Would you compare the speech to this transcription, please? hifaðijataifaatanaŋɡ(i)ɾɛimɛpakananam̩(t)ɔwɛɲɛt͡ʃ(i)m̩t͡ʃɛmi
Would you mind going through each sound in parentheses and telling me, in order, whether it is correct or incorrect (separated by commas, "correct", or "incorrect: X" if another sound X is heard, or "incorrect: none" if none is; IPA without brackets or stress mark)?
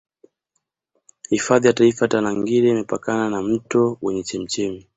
correct, correct, incorrect: ɛ